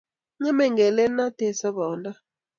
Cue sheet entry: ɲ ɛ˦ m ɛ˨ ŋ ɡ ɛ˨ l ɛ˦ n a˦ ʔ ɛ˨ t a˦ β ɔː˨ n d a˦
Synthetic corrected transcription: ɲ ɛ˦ m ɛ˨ ŋ ɡ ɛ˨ l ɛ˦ n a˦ t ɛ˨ s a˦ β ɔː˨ n d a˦

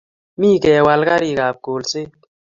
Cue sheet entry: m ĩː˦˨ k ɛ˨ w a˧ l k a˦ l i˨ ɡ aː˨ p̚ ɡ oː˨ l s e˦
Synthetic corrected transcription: m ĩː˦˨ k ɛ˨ w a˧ l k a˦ ɾ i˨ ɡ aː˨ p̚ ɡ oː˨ l s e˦

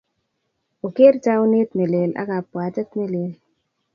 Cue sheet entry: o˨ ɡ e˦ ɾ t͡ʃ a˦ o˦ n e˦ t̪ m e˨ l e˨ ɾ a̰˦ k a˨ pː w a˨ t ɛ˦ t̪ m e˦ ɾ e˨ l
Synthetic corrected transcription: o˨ k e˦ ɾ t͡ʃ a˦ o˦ n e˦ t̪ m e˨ l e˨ l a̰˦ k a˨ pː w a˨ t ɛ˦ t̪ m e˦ l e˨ l

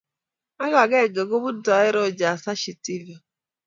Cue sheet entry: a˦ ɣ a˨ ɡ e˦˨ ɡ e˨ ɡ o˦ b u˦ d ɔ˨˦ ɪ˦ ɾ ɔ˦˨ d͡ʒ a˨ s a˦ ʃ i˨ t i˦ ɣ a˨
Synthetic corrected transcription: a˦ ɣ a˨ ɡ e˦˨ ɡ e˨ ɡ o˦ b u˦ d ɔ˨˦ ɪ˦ ɾ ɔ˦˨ d͡ʒ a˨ s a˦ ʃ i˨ t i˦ v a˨

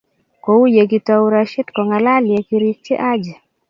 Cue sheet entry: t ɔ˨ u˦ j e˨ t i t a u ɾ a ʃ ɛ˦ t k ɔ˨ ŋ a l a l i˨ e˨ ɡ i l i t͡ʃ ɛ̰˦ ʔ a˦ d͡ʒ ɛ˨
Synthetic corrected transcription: k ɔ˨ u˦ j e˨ k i t a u ɾ a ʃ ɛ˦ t k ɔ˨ ŋ a l a l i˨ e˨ k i ɾ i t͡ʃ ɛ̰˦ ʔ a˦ d͡ʒ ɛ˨

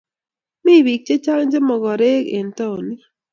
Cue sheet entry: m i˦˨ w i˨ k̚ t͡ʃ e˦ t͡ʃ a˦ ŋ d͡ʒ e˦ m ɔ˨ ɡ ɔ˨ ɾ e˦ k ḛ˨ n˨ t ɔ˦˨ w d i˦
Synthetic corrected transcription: m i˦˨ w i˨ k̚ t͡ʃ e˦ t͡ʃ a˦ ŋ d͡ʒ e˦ m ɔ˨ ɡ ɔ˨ ɾ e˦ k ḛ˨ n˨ t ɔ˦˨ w n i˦

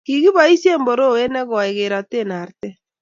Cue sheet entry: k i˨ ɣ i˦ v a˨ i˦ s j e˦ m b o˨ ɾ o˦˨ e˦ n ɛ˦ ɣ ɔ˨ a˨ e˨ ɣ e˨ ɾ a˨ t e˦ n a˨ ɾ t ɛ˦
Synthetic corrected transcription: k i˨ ɣ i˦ β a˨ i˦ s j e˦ m b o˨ ɾ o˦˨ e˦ n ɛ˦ ɣ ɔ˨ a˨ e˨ ɣ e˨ ɾ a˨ t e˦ n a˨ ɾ t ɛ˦

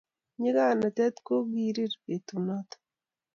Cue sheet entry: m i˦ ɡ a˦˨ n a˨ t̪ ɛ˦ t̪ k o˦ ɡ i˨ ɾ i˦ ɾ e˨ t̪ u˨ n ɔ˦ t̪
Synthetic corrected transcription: ɲ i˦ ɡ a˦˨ n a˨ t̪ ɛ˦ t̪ k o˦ ɡ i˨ ɾ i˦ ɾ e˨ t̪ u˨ n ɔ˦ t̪

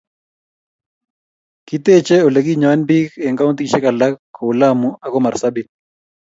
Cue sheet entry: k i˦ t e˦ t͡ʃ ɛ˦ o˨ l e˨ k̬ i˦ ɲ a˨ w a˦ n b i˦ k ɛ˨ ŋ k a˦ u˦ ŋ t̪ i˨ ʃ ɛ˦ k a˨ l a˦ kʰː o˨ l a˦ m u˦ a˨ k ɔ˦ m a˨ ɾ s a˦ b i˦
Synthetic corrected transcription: k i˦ t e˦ t͡ʃ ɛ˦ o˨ l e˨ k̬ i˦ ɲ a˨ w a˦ n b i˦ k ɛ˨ ŋ k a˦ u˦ n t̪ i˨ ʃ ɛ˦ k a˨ l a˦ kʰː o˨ l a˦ m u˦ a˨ k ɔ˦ m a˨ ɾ s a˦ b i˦

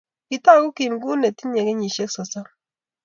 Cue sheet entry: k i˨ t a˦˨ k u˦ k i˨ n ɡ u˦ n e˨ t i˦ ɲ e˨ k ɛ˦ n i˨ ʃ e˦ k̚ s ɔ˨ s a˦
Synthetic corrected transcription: k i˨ t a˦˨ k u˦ k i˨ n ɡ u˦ n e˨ t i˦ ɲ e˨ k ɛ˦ ɲ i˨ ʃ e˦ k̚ s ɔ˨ s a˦

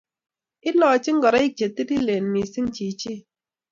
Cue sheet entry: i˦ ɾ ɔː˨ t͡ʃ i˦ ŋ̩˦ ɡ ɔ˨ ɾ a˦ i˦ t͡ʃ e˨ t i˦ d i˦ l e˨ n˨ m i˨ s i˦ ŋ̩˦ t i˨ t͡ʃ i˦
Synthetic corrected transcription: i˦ l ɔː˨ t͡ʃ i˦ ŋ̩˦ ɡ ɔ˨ ɾ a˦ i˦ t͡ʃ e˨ t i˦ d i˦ l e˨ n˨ m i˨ s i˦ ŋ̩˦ t͡ʃ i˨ t͡ʃ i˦

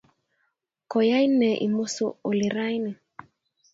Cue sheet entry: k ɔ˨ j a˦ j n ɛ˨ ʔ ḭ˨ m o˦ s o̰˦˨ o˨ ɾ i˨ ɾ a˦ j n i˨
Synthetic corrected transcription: k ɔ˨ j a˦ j n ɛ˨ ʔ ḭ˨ m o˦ s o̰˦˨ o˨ l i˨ ɾ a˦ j n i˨

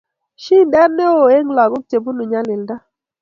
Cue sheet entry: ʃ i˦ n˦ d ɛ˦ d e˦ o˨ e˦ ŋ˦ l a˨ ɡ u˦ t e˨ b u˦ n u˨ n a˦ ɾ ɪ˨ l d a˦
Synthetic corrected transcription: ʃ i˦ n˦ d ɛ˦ n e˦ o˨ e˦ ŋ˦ l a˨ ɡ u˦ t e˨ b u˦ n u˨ ɲ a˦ l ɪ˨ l d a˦

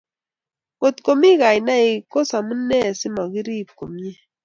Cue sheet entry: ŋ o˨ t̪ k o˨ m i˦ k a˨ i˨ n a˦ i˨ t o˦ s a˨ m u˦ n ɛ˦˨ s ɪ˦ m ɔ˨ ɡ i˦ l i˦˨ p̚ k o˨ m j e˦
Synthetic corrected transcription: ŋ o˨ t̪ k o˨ m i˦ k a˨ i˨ n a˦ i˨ k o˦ s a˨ m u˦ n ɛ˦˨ s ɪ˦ m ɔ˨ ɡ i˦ ɾ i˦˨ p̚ k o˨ m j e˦

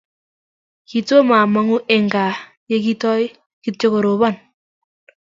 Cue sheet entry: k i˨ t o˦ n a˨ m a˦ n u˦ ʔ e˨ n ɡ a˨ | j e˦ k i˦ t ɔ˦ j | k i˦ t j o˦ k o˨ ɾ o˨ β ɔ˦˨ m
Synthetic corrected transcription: k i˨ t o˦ m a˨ m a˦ ŋ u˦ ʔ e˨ ŋ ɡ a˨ | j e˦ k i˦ t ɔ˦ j | k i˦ t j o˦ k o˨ ɾ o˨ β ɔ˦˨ n

